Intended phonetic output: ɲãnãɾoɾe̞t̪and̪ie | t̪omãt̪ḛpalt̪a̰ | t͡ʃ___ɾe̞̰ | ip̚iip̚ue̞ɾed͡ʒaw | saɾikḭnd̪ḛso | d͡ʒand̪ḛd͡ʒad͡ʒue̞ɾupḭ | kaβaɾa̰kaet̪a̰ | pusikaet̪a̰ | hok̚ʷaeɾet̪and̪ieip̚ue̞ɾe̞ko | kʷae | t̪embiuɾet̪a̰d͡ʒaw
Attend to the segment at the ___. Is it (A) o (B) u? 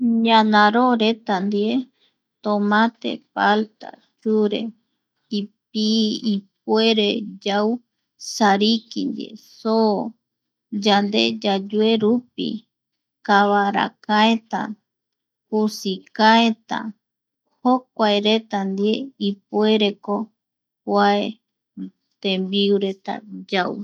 B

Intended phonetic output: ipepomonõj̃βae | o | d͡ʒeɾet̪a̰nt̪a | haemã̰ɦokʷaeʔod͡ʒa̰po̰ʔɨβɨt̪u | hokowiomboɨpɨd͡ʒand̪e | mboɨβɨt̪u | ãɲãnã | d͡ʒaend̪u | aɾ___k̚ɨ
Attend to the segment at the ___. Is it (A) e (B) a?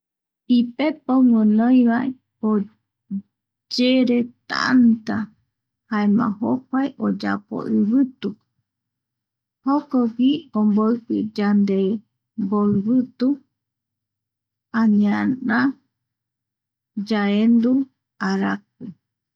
B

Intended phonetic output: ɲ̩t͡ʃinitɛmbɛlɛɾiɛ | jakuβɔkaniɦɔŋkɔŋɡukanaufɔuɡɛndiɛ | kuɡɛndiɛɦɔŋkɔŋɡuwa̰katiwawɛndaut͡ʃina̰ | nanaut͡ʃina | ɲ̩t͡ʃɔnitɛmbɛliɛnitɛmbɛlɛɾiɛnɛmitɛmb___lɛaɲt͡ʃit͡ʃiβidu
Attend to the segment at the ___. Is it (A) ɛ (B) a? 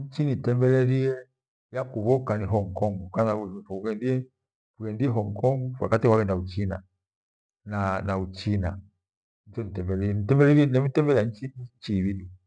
A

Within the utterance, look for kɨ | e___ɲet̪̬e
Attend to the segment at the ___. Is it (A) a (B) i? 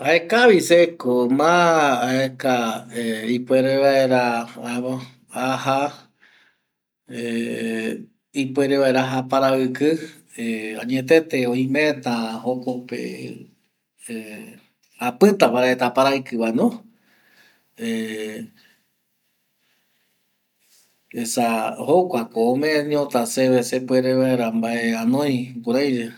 A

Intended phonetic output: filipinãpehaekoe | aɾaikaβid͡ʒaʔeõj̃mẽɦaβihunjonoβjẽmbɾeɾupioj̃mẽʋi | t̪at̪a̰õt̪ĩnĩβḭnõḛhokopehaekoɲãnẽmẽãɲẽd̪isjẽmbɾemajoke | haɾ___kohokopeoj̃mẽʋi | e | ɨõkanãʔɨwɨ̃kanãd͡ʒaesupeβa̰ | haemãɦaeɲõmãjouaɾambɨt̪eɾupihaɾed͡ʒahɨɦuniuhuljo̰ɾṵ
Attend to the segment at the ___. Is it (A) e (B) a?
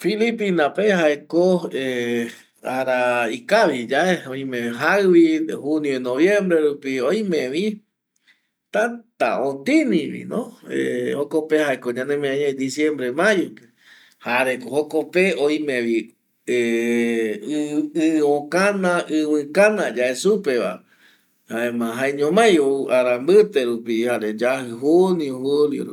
A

